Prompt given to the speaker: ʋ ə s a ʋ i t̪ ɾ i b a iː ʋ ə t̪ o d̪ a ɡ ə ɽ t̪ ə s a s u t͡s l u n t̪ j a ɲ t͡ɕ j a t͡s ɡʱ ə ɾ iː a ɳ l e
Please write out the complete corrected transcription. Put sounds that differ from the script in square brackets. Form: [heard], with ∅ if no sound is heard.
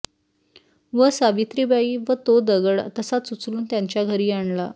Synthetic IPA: ʋ ə s a ʋ i t̪ ɾ i b a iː ʋ ə t̪ o d̪ [ə] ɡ ə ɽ t̪ ə s a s u t͡s l [uː] n t̪ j a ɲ t͡ɕ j a [∅] ɡʱ ə ɾ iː a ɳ l [a]